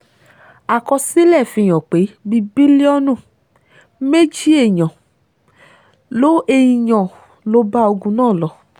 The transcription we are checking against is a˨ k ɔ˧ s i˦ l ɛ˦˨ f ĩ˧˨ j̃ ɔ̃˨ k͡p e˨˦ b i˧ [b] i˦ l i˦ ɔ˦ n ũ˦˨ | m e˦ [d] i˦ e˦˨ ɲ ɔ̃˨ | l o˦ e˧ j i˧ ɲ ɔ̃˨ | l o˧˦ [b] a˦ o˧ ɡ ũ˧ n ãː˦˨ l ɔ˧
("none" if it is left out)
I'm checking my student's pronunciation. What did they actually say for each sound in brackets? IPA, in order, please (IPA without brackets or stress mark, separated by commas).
b, d͡ʒ, b